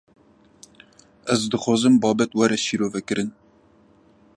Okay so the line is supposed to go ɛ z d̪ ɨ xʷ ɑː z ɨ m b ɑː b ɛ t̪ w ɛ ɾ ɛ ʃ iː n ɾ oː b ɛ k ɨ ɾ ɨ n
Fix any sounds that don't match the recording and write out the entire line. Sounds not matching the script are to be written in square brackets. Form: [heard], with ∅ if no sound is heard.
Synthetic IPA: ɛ z d̪ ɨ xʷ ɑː z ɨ m b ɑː b ɛ t̪ w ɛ ɾ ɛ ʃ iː [∅] ɾ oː [v] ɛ k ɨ ɾ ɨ n